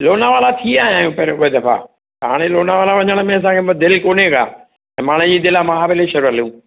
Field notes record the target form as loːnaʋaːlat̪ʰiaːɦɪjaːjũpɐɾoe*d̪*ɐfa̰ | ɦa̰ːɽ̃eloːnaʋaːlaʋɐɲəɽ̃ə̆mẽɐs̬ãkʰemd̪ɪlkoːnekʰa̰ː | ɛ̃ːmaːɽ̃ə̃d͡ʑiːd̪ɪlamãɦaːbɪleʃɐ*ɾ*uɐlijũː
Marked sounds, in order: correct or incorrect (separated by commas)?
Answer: correct, correct